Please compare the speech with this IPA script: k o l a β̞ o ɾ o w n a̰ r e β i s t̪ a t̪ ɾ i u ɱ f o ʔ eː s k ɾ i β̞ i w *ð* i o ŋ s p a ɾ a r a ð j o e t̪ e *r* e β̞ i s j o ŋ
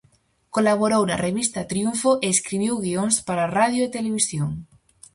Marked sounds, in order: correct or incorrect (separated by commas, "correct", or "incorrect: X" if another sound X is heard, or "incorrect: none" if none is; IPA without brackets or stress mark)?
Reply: incorrect: ɣ, incorrect: l